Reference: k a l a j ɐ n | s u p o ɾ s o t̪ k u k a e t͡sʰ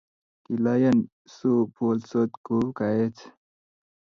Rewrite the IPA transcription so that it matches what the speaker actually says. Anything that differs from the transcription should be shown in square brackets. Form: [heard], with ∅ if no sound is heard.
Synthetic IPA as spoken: k [i] l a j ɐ n | s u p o [l] s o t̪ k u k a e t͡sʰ